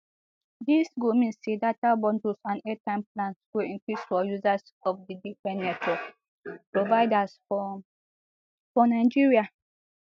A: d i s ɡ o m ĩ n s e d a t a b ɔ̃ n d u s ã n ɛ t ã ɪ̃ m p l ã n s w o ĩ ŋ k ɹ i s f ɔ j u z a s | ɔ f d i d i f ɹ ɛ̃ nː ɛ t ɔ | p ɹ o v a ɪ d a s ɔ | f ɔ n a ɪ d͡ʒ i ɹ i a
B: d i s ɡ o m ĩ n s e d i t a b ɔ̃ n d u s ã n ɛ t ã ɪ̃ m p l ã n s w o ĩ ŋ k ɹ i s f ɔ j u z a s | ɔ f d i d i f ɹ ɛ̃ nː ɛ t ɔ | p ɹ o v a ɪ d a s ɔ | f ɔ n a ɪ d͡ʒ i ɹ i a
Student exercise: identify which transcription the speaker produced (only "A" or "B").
A